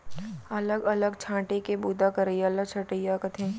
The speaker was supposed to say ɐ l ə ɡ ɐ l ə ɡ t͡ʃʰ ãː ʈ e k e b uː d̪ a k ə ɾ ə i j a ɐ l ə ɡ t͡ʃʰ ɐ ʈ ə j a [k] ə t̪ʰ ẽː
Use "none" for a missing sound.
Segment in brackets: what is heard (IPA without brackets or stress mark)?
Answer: k